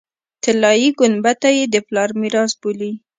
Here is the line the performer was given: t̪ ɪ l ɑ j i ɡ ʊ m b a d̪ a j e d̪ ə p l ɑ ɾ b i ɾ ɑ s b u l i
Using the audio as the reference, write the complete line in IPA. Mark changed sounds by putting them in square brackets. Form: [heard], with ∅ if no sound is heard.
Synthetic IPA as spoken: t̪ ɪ l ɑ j i ɡ ʊ [n] b a [t̪] a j e d̪ ə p l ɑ ɾ [m] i ɾ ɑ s b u l i